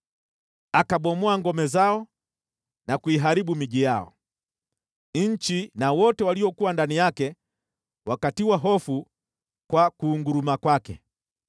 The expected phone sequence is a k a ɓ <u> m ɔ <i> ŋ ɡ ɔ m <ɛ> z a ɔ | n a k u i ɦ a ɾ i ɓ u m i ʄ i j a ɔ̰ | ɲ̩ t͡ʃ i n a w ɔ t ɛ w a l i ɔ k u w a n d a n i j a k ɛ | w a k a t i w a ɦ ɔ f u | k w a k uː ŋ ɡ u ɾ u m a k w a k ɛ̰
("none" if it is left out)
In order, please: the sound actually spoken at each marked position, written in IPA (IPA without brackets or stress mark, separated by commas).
ɔ, a, ɛ